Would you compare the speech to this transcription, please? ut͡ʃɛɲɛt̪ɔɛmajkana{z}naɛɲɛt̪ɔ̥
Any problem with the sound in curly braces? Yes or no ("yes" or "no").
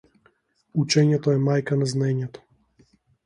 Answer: no